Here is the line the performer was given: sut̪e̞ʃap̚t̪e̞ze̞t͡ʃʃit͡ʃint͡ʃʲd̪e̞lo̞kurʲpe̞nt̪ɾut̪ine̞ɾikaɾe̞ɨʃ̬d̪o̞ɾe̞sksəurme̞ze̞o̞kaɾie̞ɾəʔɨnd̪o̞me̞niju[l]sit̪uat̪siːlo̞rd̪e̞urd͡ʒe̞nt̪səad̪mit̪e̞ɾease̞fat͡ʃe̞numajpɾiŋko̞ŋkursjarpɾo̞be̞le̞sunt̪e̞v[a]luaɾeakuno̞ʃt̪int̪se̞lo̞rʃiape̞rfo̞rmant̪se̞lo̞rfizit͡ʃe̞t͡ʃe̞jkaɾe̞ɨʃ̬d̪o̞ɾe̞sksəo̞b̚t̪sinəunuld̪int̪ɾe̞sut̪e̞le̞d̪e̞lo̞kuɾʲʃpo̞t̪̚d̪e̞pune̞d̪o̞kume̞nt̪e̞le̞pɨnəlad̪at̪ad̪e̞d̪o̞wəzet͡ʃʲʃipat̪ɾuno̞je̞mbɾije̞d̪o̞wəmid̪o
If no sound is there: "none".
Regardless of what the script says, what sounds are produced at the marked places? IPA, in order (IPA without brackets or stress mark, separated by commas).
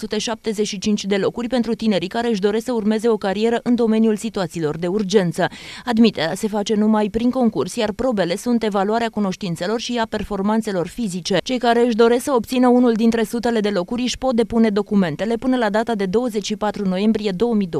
l, a